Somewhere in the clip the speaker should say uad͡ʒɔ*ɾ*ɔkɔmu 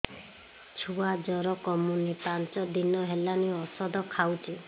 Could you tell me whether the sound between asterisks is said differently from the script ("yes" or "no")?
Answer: no